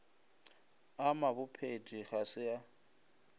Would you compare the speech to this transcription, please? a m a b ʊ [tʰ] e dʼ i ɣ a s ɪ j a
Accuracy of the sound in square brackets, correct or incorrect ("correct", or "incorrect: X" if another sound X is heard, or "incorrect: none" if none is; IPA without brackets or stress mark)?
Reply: incorrect: pʰ